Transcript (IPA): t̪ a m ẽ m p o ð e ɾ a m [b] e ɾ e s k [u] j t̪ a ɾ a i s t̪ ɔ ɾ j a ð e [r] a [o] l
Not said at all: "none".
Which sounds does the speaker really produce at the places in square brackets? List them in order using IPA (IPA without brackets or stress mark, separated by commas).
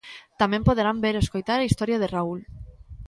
b, o, r, u